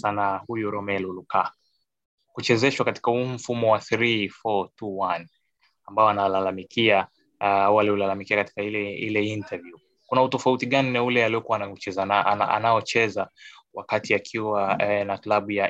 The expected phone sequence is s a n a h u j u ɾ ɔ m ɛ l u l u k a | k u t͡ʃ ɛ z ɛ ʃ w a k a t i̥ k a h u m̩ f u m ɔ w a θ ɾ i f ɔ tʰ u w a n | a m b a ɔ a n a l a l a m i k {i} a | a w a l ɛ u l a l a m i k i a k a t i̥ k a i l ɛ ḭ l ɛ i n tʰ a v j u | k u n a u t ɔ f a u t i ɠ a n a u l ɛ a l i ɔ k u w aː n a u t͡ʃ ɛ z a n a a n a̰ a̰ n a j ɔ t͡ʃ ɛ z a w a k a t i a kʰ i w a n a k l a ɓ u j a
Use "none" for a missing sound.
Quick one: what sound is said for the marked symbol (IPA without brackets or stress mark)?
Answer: i